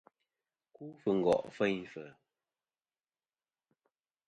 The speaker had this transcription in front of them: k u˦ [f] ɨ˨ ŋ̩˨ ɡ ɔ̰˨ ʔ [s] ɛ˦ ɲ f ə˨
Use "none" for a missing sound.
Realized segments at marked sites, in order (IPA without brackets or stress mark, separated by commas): f, f